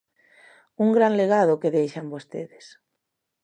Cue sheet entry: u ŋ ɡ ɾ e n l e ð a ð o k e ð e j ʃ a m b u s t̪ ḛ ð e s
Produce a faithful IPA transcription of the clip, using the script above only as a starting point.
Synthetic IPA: u ŋ ɡ ɾ a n l e ɣ a ð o k e ð e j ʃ a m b o s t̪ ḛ ð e s